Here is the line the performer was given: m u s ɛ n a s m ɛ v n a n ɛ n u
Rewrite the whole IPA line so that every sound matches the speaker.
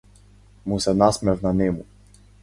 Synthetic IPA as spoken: m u s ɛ n a s m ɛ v n a n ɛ m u